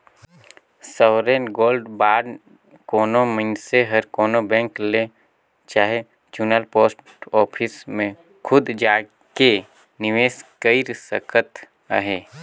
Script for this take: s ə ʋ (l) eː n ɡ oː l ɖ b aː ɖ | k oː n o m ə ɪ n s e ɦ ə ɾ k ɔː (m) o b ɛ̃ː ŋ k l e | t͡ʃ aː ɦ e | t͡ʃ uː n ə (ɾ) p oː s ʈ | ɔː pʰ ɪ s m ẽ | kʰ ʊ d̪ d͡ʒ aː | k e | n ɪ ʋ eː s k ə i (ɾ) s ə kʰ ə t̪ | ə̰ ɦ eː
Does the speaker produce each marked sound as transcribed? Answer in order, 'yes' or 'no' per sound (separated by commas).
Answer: no, no, no, yes